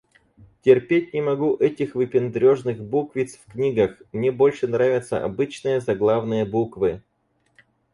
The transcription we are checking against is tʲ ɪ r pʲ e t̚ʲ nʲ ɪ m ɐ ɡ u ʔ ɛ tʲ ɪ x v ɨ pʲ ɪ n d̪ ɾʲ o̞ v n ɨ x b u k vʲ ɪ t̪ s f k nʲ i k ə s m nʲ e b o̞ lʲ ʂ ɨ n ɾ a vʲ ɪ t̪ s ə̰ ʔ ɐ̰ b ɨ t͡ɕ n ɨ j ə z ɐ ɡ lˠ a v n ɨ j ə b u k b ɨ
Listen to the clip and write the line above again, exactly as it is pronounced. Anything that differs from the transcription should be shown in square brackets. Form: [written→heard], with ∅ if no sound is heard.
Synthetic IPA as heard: tʲ ɪ r pʲ e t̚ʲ nʲ ɪ m ɐ ɡ u ʔ ɛ tʲ ɪ x v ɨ pʲ ɪ n d̪ ɾʲ o̞ [v→ʐ] n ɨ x b u k vʲ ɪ t̪ s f k nʲ i [k→ɡ] ə [s→x] m nʲ e b o̞ lʲ ʂ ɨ n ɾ a vʲ ɪ t̪ s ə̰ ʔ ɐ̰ b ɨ t͡ɕ n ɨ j ə z ɐ ɡ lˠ a v n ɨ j ə b u k [b→v] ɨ

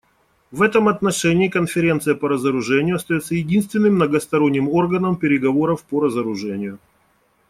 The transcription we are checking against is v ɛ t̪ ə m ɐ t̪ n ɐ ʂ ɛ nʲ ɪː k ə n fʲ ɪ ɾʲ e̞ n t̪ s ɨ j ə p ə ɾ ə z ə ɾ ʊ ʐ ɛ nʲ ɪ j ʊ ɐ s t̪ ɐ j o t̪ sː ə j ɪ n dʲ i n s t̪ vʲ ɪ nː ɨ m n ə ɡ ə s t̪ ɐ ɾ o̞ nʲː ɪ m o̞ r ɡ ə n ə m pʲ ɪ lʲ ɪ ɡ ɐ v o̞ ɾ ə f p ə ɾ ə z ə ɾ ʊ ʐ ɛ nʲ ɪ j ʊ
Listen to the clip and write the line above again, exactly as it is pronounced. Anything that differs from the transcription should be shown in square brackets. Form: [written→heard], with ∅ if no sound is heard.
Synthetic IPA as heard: v ɛ t̪ ə m ɐ t̪ n ɐ ʂ ɛ nʲ ɪː k ə n fʲ ɪ ɾʲ e̞ n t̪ s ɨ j ə p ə ɾ ə z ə ɾ ʊ ʐ ɛ nʲ ɪ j ʊ ɐ s t̪ ɐ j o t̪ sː ə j ɪ [n→∅] dʲ i n s t̪ vʲ ɪ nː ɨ m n ə ɡ ə s t̪ ɐ ɾ o̞ nʲː ɪ m o̞ r ɡ ə n ə m pʲ ɪ [lʲ→ɾʲ] ɪ ɡ ɐ v o̞ ɾ ə f p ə ɾ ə z ə ɾ ʊ ʐ ɛ nʲ ɪ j ʊ

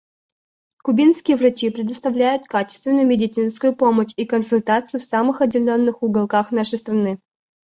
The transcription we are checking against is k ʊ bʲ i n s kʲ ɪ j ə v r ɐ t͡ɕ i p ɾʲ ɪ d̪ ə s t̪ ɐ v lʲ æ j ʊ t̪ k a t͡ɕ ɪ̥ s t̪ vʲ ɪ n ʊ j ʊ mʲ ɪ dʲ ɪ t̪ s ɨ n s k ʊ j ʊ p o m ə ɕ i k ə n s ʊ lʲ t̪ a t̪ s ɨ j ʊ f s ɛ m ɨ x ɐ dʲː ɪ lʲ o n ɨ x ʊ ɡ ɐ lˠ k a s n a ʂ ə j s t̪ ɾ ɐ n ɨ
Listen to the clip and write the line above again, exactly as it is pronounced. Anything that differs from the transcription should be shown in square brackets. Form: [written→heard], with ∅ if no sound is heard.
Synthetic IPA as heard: k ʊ bʲ i n s kʲ ɪ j ə v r ɐ t͡ɕ i p ɾʲ ɪ d̪ ə s t̪ ɐ v lʲ æ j ʊ t̪ k a t͡ɕ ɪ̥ s t̪ vʲ ɪ n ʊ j ʊ mʲ ɪ dʲ ɪ t̪ s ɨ n s k ʊ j ʊ p o m ə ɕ i k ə n s ʊ lʲ t̪ a t̪ s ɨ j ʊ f s [ɛ→a] m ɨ x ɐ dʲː ɪ lʲ o [n→nː] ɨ x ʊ ɡ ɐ lˠ k a [s→x] n a ʂ ə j s t̪ ɾ ɐ n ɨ

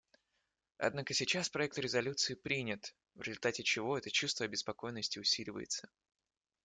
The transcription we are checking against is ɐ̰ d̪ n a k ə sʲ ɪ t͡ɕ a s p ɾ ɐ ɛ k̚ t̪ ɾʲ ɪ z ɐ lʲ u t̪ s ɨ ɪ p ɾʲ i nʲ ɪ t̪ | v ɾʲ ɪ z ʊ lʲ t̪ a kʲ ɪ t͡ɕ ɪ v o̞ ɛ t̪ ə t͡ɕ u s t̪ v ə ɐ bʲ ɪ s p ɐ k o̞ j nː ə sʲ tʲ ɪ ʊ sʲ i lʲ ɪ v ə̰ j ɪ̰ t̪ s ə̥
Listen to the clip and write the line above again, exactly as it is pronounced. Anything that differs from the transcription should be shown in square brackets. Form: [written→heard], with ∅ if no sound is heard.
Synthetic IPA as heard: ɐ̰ d̪ n a k ə sʲ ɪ t͡ɕ a s p ɾ ɐ ɛ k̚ t̪ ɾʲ ɪ z ɐ lʲ u t̪ s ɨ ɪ p ɾʲ i nʲ ɪ t̪ | v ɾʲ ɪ z ʊ lʲ t̪ a [kʲ→tʲ] ɪ t͡ɕ ɪ v o̞ ɛ t̪ ə t͡ɕ u s t̪ v ə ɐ bʲ ɪ s p ɐ k o̞ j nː ə sʲ tʲ ɪ ʊ sʲ i lʲ ɪ v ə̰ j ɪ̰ t̪ s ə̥

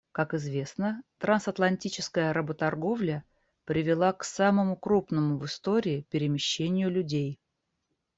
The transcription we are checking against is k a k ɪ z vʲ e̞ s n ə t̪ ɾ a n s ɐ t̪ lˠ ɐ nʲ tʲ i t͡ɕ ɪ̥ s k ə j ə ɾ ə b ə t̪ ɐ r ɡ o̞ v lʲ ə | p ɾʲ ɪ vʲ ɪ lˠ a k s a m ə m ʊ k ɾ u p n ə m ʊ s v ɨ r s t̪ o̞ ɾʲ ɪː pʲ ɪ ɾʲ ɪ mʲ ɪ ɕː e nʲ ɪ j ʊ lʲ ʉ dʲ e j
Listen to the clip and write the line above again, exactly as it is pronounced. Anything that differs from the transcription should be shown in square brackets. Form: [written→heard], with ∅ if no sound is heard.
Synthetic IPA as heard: k a k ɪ z vʲ e̞ s n ə t̪ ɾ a n s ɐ t̪ lˠ ɐ nʲ tʲ i t͡ɕ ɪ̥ s k ə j ə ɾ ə b ə t̪ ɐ r ɡ o̞ v lʲ ə | p ɾʲ ɪ vʲ ɪ lˠ a k s a m ə m ʊ k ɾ u p n ə m ʊ [s→∅] v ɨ [r→∅] s t̪ o̞ ɾʲ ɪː pʲ ɪ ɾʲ ɪ mʲ ɪ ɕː e nʲ ɪ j ʊ lʲ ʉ dʲ e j

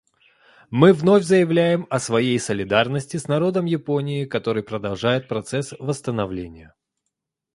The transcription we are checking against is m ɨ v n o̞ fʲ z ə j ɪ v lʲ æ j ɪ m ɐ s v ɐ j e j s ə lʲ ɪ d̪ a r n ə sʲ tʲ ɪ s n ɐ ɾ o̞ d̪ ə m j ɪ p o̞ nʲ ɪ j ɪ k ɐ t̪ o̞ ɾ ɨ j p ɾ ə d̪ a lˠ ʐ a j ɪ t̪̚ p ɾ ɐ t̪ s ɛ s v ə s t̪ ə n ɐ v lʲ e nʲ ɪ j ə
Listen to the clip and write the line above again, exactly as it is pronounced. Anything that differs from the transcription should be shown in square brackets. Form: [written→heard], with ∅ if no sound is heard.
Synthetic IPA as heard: m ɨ v n o̞ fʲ z ə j ɪ v lʲ æ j ɪ m ɐ s v ɐ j e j s ə lʲ ɪ d̪ a r n ə sʲ tʲ ɪ s n ɐ ɾ o̞ d̪ ə m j ɪ p o̞ nʲ ɪ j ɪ k ɐ t̪ o̞ ɾ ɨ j p ɾ ə d̪ [a→ɐ] lˠ ʐ a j ɪ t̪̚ p ɾ ɐ t̪ s ɛ s v ə s t̪ ə n ɐ v lʲ e nʲ ɪ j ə

